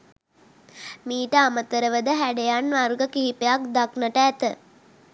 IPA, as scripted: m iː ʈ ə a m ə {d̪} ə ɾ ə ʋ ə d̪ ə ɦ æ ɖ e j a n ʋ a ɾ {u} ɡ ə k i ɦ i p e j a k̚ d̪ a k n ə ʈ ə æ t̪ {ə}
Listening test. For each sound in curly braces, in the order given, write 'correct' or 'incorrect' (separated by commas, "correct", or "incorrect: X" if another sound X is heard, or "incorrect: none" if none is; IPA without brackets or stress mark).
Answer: incorrect: t̪, correct, correct